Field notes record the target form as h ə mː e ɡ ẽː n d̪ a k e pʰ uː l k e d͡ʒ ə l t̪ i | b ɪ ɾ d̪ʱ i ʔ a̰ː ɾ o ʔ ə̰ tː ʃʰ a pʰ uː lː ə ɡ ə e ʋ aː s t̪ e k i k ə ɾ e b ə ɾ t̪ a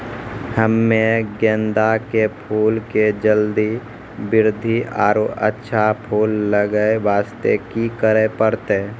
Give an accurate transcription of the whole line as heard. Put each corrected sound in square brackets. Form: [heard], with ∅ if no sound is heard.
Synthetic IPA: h ə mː e ɡ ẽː n d̪ a k e pʰ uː l k e d͡ʒ ə l [d̪] i | b ɪ ɾ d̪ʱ i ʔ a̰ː ɾ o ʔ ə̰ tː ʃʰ a pʰ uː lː ə ɡ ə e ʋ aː s t̪ e k i k ə ɾ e [p] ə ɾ t̪ [e]